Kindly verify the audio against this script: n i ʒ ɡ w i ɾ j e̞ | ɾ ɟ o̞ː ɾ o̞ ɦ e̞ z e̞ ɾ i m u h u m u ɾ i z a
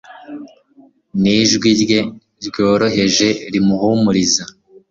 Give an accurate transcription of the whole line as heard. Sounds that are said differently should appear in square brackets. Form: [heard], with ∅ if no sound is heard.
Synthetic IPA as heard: n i ʒ ɡ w i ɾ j e̞ | ɾ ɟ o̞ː ɾ o̞ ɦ e̞ [ʒ] e̞ ɾ i m u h u m u ɾ i z a